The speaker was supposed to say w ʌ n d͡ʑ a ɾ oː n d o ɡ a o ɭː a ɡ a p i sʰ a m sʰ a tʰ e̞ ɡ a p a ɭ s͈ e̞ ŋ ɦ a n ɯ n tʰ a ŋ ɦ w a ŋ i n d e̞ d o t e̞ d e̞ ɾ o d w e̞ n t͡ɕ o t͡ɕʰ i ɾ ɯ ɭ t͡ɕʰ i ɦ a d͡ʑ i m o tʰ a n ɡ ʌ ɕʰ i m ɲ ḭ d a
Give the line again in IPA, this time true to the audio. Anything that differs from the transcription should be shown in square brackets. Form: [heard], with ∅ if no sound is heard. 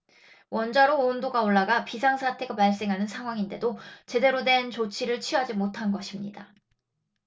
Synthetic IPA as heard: w ʌ n d͡ʑ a ɾ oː n d o ɡ a o ɭː a ɡ a p i sʰ a [ŋ] sʰ a tʰ e̞ ɡ a p a ɭ s͈ e̞ ŋ ɦ a n ɯ n [sʰ] a ŋ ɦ w a ŋ i n d e̞ d o [t͡ɕ] e̞ d e̞ ɾ o d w e̞ n t͡ɕ o t͡ɕʰ i ɾ ɯ ɭ t͡ɕʰ i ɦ a d͡ʑ i m o tʰ a n ɡ ʌ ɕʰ i m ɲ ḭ d a